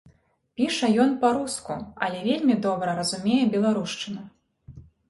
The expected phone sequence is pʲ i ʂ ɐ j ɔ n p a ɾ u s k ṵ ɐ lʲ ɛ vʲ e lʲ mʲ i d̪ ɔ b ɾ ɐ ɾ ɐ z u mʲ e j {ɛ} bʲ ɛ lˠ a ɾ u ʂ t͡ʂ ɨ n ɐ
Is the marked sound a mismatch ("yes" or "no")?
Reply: no